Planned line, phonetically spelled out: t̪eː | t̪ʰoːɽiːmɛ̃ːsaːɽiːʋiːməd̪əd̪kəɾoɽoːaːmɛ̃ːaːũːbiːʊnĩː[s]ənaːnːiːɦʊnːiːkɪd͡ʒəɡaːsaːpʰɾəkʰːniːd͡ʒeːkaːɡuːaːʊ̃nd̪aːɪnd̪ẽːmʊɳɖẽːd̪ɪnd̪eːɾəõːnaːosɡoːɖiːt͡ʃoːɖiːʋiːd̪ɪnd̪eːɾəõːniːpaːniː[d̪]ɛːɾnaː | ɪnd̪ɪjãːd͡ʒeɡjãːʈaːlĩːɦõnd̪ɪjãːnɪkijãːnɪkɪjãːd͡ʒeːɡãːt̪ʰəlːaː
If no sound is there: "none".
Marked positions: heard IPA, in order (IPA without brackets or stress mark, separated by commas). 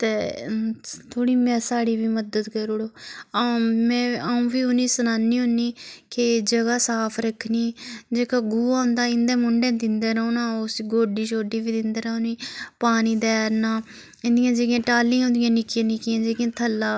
s, d̪